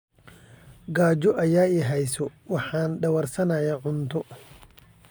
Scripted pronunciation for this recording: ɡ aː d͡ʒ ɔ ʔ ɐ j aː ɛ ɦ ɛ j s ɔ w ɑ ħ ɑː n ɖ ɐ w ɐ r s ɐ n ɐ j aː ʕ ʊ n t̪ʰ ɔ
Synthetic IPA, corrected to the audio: ɡ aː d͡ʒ ɔ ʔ ɐ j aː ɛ ɦ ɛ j s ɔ w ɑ ħ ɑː n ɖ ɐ w ɐ r s ɐ n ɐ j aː ʕ ʊ n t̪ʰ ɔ